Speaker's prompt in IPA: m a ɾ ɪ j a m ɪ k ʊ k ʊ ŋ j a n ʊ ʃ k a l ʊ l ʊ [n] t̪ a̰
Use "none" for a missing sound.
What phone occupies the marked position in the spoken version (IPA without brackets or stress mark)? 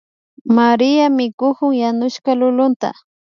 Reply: n